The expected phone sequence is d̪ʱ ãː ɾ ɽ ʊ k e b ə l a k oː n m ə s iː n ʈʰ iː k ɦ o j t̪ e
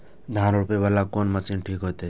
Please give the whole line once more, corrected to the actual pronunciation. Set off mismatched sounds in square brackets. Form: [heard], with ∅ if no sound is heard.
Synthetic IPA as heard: d̪ʱ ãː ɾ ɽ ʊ [p] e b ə l a k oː n m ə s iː n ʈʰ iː k ɦ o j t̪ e